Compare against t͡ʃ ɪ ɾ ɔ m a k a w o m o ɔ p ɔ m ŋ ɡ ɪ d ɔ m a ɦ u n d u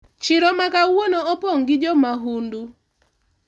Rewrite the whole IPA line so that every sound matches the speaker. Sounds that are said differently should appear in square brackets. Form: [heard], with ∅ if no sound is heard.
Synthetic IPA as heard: t͡ʃ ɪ ɾ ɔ m a k a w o [n] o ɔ p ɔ [∅] ŋ ɡ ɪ [d͡ʒ] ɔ m a ɦ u n d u